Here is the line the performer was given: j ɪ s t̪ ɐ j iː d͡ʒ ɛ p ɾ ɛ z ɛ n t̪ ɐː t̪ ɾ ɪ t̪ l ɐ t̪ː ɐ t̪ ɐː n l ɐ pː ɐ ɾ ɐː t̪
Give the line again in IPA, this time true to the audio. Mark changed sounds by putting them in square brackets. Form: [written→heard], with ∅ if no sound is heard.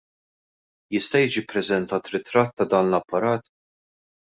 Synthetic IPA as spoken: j ɪ s t̪ ɐ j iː d͡ʒ [ɛ→i] p ɾ ɛ z ɛ n t̪ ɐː t̪ ɾ ɪ t̪ [l→ɾ] ɐ t̪ː ɐ [t̪→d̪] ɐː n l ɐ pː ɐ ɾ ɐː t̪